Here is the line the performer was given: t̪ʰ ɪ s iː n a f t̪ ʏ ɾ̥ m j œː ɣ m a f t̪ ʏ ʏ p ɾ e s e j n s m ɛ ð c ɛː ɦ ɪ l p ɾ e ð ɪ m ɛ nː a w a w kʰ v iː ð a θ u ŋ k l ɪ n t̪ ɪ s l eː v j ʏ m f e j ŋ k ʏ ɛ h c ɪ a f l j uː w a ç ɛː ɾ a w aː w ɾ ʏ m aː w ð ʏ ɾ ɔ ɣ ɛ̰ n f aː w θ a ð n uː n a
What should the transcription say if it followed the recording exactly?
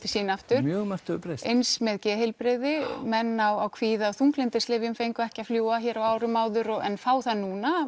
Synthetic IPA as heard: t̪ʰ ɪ s iː n a f t̪ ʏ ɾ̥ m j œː ɣ m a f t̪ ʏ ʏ p ɾ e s e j n s m ɛ ð c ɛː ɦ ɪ l p ɾ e ð ɪ m ɛ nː a w a w kʰ v iː ð a θ u ŋ k l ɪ n t̪ ɪ s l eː v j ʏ m f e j ŋ k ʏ ɛ h c ɪ a f l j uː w a ç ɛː ɾ a w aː w ɾ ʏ m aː w ð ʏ ɾ ɔ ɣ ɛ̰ n f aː w θ a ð n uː n a